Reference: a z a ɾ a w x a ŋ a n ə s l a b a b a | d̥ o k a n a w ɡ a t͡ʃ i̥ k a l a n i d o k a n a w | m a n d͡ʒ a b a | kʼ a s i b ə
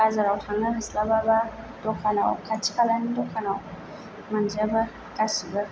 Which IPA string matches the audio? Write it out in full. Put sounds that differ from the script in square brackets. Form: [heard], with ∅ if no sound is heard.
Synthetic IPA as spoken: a z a ɾ a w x a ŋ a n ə s l a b a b a | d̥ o k a n a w [k] a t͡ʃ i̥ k a l a n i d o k a n a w | m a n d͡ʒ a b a | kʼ a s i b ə